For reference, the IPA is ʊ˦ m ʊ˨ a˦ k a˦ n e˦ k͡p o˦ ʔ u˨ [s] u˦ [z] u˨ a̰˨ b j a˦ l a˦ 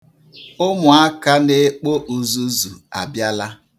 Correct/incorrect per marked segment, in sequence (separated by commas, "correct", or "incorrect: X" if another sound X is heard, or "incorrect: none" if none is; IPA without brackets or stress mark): incorrect: z, correct